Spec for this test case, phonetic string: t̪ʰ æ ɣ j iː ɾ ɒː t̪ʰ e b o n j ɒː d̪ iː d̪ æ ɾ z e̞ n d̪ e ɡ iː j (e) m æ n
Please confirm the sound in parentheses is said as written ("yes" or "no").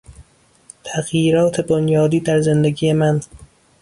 yes